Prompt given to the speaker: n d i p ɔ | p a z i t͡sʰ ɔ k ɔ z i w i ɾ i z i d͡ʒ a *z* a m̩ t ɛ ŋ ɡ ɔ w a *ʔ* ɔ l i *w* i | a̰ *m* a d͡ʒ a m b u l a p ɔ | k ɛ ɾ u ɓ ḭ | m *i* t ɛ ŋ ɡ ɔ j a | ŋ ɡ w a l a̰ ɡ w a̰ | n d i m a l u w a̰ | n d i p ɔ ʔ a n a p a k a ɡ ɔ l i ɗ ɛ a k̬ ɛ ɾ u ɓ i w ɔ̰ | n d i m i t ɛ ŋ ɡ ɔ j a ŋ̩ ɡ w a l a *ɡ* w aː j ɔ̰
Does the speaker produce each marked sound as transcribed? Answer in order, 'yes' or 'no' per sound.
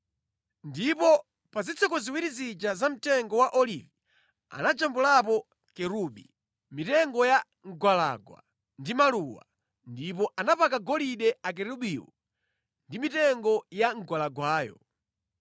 yes, yes, no, no, yes, yes

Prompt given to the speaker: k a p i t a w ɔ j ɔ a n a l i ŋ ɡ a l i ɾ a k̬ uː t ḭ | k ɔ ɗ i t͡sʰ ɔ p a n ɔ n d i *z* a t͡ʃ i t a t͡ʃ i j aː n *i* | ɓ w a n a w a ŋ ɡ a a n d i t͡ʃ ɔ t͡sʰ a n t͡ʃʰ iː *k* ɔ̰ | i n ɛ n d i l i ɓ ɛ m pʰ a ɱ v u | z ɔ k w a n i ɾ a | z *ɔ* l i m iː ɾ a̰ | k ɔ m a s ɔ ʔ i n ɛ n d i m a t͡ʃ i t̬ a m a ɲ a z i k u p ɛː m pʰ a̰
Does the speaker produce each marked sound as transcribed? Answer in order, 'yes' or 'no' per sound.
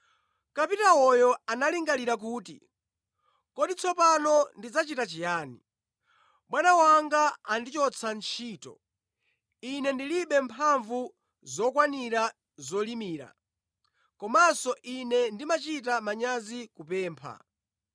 no, yes, no, yes

